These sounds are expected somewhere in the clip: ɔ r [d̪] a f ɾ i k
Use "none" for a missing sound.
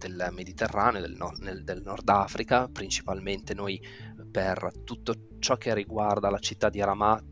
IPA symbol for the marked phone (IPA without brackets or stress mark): d̪